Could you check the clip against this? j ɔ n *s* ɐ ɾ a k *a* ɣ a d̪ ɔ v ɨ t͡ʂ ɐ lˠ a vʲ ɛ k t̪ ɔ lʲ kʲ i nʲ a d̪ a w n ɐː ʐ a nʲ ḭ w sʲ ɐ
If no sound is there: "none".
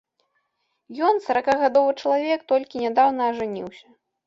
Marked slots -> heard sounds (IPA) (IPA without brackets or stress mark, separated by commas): s, a